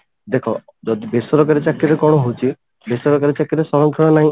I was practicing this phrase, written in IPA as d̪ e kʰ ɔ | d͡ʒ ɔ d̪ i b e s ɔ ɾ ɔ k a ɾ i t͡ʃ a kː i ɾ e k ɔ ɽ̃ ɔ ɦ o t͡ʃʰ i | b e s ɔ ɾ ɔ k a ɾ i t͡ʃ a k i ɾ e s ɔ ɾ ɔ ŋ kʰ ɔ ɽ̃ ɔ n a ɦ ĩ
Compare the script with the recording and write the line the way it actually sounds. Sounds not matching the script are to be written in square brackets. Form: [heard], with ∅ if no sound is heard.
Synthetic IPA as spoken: d̪ e kʰ ɔ | d͡ʒ ɔ d̪ i b e s ɔ ɾ ɔ k a ɾ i t͡ʃ a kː i ɾ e k ɔ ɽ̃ ɔ ɦ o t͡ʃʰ i | b e s ɔ ɾ ɔ k a ɾ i t͡ʃ a k i ɾ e s ɔ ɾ ɔ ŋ kʰ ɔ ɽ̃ ɔ n a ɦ ĩ